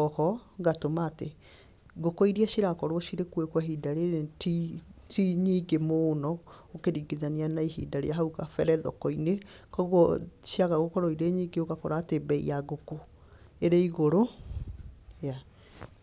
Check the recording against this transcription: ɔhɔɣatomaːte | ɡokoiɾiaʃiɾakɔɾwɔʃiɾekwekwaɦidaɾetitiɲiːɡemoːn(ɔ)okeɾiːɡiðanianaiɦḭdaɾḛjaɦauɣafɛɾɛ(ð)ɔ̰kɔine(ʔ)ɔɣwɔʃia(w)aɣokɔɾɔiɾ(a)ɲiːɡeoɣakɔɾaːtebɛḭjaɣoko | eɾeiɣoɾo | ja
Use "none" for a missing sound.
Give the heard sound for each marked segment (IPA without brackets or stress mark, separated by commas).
ɔ, ð, k, ɣ, e